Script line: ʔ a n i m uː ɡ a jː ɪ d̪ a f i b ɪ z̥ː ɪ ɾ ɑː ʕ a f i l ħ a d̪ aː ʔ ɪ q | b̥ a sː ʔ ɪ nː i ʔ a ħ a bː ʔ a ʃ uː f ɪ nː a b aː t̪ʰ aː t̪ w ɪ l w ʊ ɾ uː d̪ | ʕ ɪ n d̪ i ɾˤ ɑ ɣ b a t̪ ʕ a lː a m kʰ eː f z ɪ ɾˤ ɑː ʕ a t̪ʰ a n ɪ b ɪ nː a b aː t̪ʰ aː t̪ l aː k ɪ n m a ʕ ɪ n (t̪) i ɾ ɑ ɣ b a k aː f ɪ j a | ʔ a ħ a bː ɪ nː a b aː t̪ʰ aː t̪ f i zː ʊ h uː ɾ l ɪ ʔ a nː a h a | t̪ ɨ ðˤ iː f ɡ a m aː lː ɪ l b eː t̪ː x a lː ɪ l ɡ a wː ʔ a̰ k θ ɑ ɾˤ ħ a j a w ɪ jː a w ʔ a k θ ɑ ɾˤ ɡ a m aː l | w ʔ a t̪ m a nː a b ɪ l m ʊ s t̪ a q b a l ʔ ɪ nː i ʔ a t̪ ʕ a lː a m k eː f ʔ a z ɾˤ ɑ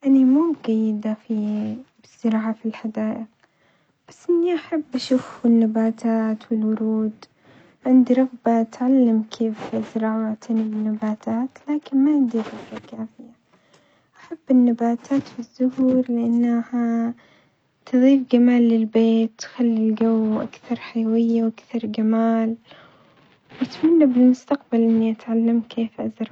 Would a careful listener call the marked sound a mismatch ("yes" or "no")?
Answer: yes